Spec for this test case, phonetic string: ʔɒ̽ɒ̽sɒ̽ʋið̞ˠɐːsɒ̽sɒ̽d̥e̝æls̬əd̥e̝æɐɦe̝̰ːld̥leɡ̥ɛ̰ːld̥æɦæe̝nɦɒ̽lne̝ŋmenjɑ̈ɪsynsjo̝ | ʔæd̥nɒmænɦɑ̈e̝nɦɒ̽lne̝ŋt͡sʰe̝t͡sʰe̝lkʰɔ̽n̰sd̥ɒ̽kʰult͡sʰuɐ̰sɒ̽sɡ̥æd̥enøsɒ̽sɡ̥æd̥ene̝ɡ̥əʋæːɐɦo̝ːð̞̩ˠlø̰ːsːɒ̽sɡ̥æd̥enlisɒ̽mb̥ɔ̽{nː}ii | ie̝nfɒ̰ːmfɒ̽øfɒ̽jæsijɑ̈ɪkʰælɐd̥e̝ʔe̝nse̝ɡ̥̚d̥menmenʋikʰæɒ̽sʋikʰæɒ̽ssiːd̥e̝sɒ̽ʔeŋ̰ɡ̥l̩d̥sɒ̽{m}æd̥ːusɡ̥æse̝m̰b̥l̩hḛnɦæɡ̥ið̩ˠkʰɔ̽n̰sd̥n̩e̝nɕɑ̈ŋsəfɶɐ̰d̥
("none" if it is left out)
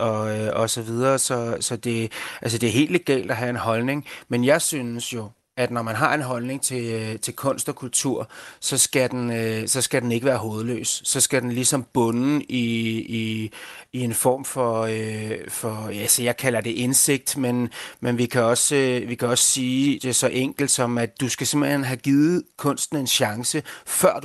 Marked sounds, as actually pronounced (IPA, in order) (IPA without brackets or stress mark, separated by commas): n, m